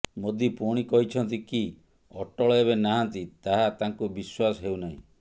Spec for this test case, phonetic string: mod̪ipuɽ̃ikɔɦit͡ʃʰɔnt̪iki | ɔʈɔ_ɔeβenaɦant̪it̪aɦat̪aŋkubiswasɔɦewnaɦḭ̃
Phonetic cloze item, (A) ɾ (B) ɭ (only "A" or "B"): B